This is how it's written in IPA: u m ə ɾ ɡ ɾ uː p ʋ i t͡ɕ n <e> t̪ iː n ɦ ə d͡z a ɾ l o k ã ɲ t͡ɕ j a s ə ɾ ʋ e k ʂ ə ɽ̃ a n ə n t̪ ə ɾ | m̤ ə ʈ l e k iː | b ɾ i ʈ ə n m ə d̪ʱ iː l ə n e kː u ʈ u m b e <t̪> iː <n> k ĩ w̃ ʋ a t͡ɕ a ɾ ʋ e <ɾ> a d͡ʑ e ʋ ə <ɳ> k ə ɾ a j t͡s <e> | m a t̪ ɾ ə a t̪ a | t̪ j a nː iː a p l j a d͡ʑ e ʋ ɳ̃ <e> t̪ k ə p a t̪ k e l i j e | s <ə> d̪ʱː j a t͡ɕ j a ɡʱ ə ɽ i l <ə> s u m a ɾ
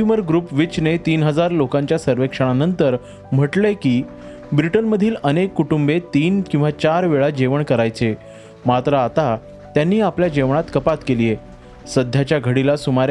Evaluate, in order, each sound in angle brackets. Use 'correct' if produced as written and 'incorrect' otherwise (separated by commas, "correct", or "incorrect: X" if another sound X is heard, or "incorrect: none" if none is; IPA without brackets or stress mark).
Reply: correct, correct, correct, incorrect: ɭ, correct, correct, incorrect: a, correct, incorrect: a